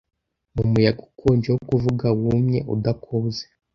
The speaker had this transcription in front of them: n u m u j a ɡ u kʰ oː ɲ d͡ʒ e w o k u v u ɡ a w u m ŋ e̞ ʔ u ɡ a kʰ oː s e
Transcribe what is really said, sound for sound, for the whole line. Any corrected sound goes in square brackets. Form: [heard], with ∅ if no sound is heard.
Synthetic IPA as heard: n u m u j a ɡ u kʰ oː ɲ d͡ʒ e w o k u v u ɡ a w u m [ɲ] e̞ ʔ u [d] a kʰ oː [z] e